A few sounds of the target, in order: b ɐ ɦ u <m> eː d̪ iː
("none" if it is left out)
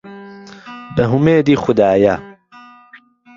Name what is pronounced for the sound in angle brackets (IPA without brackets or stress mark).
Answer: m